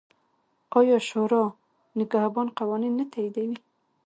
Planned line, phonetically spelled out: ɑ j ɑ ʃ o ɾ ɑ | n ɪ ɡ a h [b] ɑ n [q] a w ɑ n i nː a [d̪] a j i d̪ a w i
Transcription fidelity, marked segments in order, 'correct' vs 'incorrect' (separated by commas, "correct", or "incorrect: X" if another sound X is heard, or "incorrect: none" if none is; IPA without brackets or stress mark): correct, correct, incorrect: t̪